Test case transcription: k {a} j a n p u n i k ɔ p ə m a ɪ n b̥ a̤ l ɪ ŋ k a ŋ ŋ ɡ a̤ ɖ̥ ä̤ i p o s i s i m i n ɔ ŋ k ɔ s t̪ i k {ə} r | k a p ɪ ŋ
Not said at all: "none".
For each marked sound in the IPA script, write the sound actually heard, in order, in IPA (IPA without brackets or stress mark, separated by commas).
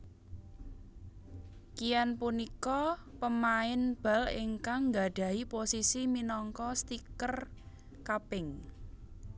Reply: i, ə